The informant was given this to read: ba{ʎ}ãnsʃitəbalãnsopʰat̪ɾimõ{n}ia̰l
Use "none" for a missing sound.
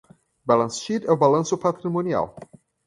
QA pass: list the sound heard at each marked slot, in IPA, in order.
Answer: l, n

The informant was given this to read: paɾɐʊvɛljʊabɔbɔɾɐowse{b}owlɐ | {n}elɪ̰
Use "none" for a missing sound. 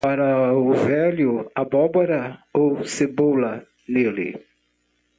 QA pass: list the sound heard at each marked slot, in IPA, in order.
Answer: b, n

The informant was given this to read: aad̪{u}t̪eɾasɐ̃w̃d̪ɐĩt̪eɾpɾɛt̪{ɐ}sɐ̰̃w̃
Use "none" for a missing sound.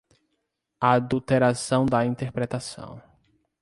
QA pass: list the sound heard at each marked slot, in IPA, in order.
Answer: u, a

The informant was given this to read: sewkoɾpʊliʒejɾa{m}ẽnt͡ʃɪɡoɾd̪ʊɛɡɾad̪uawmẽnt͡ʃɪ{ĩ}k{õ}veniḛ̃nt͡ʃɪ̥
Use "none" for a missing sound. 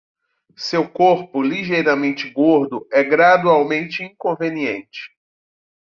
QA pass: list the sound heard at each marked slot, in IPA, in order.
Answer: m, ĩ, õ

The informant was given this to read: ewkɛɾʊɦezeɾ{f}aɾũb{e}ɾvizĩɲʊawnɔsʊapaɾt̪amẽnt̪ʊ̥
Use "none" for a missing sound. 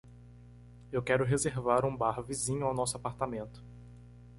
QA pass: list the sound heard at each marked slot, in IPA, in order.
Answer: v, a

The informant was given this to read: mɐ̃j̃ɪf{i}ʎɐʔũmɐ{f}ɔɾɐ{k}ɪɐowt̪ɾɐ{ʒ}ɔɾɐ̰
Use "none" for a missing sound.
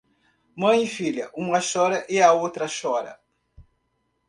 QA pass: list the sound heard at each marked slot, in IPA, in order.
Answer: i, ʃ, ʔ, ʃ

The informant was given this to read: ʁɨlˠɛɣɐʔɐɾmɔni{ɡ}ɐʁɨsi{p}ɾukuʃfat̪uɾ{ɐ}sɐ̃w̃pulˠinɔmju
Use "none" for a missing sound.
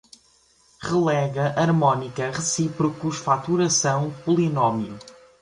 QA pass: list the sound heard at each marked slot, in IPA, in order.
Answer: k, p, ɐ

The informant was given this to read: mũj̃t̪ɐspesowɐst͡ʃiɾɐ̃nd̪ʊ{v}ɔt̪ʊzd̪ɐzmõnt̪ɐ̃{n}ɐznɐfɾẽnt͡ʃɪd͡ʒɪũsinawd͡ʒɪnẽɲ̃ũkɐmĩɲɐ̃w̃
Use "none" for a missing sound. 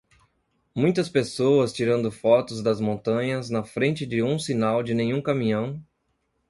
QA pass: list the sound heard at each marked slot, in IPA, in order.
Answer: f, ɲ

